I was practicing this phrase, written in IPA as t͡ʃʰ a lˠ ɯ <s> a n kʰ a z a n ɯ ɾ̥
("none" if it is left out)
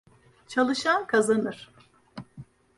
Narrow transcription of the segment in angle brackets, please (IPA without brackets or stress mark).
ʃ